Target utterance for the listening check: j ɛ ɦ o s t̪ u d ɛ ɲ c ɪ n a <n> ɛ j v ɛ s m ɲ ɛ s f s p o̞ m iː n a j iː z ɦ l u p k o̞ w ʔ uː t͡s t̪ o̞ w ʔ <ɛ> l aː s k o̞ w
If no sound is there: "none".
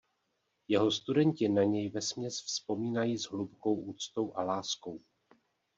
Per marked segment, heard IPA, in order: ɲ, a

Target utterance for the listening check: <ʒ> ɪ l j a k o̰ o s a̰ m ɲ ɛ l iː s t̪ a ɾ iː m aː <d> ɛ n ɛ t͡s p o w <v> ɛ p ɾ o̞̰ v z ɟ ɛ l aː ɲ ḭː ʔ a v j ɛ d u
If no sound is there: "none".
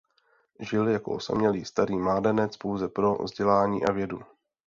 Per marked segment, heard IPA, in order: ʒ, d, z

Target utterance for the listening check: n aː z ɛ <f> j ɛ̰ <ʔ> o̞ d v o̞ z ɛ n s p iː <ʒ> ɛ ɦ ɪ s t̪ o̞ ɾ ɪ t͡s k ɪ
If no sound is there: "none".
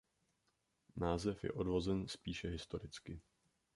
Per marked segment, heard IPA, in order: f, ʔ, ʃ

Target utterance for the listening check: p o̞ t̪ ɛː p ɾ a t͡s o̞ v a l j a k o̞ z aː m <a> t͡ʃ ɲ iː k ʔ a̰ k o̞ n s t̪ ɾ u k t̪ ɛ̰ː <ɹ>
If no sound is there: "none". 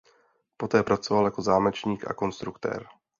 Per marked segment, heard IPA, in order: ɛ, ɾ

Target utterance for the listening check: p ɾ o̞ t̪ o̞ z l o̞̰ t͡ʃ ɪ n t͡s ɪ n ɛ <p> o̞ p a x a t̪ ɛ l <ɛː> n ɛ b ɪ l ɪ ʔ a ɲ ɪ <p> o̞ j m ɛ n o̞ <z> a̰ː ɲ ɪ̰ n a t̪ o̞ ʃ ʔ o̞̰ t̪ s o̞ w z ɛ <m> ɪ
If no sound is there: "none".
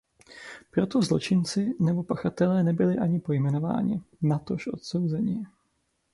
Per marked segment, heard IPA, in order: b, ɛː, p, v, ɲ

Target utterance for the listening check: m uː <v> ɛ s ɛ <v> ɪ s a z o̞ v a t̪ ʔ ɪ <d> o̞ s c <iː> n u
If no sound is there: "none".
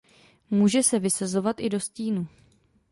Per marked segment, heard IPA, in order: ʒ, v, d, iː

